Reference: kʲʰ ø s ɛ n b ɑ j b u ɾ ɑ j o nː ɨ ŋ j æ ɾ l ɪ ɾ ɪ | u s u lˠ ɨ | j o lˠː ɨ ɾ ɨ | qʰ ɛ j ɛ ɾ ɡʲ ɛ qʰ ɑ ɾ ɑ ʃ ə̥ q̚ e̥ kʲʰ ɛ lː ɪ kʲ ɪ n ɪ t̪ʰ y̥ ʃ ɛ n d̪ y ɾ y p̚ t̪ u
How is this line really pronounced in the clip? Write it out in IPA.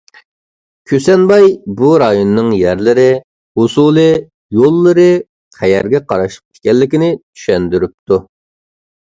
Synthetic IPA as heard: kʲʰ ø s ɛ n b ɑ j b u ɾ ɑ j o nː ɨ ŋ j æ ɾ l ɪ ɾ ɪ | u s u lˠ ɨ | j o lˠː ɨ ɾ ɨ | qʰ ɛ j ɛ ɾ ɡʲ ɛ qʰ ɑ ɾ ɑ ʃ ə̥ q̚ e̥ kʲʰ ɛ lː ɪ kʲ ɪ n ɪ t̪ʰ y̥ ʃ ɛ n d̪ y ɾ y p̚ t̪ u